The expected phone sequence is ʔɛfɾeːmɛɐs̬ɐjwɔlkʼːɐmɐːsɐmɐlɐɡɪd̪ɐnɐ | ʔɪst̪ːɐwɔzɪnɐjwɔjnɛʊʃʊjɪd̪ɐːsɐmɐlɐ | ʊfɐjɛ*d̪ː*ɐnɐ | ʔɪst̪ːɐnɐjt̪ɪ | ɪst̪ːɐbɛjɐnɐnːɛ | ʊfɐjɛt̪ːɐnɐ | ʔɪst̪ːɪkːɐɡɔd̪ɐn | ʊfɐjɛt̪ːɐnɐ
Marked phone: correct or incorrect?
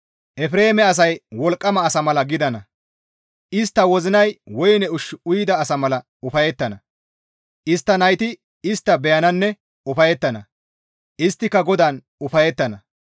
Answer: incorrect